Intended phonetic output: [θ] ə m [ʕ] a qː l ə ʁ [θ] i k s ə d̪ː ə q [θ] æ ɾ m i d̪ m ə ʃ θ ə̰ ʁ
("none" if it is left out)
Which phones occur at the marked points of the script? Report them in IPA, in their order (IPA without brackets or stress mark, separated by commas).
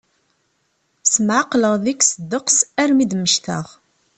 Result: s, ʕ, ð, s